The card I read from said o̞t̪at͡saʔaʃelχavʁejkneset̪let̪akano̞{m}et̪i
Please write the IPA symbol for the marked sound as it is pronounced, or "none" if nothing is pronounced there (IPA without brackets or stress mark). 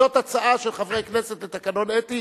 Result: n